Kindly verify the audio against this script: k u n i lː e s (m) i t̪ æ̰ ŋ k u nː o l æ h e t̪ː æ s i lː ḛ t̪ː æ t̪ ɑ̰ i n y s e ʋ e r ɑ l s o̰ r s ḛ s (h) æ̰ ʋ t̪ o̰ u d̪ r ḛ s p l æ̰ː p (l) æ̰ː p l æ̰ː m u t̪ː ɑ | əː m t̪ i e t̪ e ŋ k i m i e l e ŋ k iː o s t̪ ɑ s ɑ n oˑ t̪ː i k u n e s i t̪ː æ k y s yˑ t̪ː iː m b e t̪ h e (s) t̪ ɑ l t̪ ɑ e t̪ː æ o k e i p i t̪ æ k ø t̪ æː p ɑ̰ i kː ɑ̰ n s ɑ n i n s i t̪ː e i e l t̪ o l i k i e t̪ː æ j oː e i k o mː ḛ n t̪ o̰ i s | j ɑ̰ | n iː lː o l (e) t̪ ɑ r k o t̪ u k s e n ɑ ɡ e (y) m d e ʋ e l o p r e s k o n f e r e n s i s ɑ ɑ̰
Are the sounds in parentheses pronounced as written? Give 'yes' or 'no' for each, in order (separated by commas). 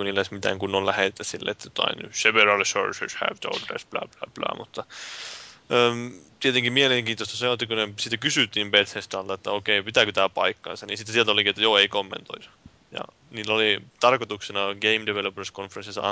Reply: yes, yes, yes, yes, no, no